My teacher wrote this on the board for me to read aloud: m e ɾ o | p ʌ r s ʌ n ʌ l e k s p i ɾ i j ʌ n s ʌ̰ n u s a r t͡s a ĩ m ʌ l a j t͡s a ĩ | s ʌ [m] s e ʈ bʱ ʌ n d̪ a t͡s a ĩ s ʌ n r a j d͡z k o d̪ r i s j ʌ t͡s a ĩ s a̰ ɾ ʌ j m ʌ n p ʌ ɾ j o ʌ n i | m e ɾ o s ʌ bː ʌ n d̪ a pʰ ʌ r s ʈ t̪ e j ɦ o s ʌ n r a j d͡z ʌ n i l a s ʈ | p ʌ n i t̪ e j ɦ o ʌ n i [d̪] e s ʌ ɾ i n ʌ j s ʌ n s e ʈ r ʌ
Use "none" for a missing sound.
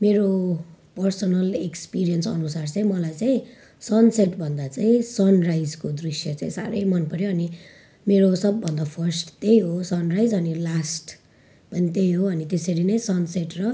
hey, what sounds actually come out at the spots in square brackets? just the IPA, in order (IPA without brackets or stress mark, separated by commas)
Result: n, t̪